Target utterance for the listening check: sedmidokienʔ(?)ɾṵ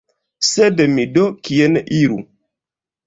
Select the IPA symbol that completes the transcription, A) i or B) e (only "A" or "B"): A